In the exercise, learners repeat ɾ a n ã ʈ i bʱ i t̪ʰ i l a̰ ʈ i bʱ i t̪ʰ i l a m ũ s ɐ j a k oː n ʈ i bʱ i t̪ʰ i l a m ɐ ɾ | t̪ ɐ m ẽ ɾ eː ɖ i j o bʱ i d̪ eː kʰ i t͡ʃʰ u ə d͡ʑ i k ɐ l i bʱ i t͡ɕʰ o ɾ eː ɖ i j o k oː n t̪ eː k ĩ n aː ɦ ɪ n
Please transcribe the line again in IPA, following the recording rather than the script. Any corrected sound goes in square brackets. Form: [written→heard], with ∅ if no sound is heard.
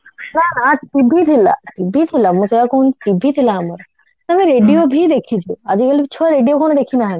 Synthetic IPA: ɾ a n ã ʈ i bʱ i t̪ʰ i l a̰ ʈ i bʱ i t̪ʰ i l a m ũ s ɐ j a k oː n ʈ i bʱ i t̪ʰ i l a m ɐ ɾ | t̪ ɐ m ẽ ɾ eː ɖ i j o bʱ i d̪ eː kʰ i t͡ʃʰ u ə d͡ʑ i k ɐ l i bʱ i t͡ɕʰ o ɾ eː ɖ i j o k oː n [t̪→d̪] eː [k→kʰ] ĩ n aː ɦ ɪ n